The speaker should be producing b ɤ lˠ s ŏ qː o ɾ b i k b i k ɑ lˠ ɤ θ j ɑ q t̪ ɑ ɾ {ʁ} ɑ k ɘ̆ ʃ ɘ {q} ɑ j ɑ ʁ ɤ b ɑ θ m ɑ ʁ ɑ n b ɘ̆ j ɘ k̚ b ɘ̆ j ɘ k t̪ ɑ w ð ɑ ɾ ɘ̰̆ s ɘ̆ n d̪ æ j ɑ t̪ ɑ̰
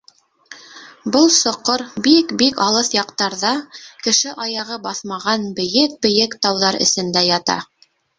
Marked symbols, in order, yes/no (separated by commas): no, no